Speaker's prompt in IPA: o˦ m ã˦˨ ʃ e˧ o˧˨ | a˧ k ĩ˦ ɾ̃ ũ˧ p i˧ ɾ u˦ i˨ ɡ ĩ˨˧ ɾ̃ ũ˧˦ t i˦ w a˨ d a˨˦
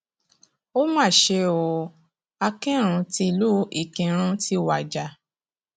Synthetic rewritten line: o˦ m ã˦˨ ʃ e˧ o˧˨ | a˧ k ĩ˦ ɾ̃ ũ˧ t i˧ l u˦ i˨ k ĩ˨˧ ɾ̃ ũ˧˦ t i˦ w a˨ d͡ʒ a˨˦